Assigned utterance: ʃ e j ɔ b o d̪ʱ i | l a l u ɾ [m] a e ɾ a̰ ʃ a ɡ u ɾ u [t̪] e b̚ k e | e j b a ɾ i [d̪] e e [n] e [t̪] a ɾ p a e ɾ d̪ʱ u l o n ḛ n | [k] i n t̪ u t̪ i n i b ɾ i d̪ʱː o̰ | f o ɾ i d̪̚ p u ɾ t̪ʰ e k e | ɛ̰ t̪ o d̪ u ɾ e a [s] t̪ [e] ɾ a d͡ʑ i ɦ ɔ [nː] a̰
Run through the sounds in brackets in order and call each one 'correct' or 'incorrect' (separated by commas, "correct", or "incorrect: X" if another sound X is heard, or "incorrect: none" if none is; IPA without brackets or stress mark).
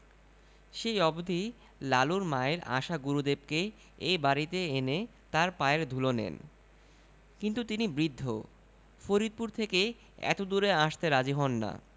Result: correct, incorrect: d̪, incorrect: t̪, correct, correct, correct, incorrect: ʃ, correct, correct